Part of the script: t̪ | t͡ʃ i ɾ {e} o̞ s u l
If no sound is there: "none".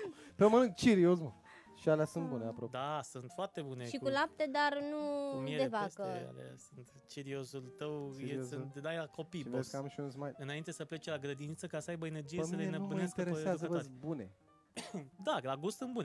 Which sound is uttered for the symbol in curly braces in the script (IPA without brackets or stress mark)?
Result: i